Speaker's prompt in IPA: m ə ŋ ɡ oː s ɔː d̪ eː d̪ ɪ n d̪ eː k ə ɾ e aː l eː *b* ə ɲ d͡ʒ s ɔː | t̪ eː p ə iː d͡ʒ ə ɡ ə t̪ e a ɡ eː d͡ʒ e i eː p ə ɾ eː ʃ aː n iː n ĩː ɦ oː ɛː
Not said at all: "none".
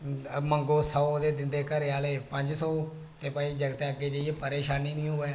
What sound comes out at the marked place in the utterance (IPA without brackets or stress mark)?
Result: p